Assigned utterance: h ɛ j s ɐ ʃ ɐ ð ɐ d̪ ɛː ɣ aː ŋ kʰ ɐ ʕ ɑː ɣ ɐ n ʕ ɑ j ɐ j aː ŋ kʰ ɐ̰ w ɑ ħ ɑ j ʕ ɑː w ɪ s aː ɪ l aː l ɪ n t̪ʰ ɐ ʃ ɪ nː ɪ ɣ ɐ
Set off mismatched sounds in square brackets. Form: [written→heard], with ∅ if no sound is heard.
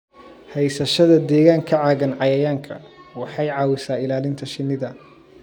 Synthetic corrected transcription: h ɛ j s ɐ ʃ ɐ ð ɐ d̪ ɛː ɣ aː ŋ kʰ ɐ ʕ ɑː ɣ ɐ n ʕ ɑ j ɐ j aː ŋ kʰ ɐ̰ w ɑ ħ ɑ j ʕ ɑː w ɪ s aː ɪ l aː l ɪ n t̪ʰ ɐ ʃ ɪ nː ɪ [ɣ→ð] ɐ